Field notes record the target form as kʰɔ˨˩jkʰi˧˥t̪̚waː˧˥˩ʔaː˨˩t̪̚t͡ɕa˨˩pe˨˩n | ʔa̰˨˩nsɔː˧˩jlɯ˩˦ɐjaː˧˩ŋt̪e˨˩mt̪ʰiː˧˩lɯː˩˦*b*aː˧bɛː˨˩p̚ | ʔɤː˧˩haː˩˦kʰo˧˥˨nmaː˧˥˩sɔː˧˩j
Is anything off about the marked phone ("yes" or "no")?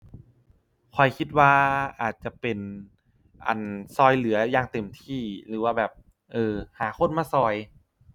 yes